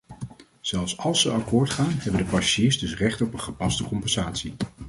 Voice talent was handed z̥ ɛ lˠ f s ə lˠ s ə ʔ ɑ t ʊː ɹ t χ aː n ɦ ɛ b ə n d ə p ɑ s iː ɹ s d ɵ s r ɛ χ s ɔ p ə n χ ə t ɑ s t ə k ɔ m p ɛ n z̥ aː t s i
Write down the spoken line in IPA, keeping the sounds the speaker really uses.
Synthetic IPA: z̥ ɛ lˠ f s ɑ lˠ s ə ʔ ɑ k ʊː ɹ t χ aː n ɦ ɛ b ə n d ə p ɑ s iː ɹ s d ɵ s r ɛ χ t ɔ p ə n χ ə p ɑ s t ə k ɔ m p ɛ n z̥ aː t s i